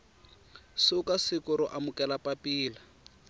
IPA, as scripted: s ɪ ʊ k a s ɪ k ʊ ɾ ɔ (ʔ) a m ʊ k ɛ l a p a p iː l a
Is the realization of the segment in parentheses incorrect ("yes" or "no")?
no